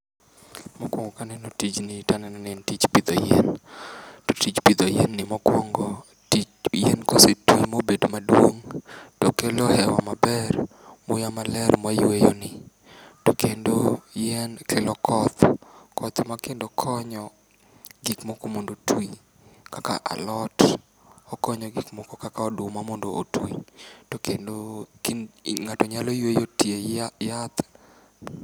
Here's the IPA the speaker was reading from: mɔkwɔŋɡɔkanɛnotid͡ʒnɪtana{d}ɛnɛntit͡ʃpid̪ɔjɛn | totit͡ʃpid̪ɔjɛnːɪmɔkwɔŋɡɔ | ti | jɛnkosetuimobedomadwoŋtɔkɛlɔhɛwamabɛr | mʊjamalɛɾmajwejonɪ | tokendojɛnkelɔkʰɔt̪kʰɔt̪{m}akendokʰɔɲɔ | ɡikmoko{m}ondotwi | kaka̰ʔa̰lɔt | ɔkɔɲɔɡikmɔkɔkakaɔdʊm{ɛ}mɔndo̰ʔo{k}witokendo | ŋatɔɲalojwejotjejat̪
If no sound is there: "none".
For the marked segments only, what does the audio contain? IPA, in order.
n, m, m, a, t

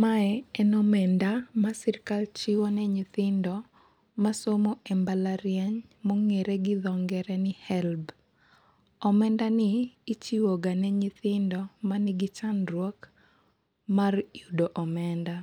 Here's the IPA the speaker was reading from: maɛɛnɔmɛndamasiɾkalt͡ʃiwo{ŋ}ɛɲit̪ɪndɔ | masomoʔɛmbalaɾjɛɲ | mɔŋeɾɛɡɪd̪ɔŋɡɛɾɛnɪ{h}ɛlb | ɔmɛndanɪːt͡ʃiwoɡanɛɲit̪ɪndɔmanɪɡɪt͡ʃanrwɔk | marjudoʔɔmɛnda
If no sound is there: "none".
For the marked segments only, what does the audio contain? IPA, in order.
n, h

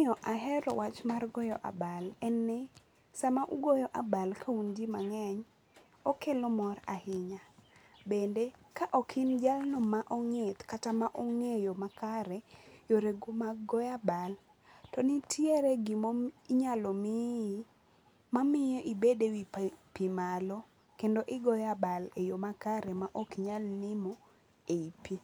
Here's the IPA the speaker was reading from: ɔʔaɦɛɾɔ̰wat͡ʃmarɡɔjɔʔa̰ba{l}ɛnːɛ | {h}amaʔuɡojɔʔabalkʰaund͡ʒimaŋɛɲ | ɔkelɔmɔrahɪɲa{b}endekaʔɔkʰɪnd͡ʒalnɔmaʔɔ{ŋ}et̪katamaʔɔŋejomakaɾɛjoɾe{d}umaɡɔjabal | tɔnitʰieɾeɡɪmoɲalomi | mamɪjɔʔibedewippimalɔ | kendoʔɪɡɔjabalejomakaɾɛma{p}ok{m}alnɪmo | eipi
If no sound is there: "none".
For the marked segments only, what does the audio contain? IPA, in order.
l, s, b, ŋ, ɡ, ʔ, ɲ

